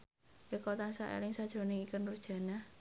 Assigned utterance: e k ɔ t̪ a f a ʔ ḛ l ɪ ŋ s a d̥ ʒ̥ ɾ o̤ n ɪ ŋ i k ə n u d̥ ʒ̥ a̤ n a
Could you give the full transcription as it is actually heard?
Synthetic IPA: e k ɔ t̪ a s a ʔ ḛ l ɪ ŋ s a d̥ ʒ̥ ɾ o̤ n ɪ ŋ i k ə n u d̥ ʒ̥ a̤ n a